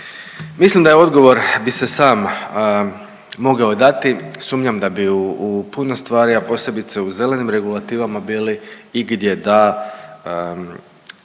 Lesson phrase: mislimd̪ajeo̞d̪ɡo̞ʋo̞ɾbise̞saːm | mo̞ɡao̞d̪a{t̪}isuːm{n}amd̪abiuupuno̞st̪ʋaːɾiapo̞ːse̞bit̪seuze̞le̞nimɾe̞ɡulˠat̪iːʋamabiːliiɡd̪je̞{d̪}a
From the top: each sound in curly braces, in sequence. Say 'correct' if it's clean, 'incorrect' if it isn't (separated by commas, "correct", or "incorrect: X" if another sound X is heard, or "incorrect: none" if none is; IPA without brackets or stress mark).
correct, incorrect: ɲ, correct